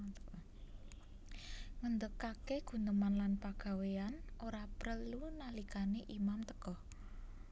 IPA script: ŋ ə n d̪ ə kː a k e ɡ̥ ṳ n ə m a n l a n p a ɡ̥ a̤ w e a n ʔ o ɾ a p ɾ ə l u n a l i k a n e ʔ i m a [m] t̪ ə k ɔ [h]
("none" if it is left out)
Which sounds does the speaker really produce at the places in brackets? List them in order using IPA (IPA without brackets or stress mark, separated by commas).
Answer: m, h